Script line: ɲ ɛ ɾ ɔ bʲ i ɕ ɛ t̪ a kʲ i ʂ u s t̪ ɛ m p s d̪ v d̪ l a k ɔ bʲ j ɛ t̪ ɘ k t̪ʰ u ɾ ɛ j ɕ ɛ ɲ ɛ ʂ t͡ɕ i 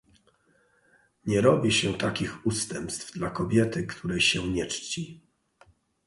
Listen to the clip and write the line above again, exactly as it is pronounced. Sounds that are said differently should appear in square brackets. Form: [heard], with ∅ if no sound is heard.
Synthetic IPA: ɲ ɛ ɾ ɔ bʲ i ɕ ɛ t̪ a kʲ i [x] u s t̪ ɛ m p s [t̪] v d̪ l a k ɔ bʲ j ɛ t̪ ɘ k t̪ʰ u ɾ ɛ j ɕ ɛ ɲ ɛ [t͡ʂ] t͡ɕ i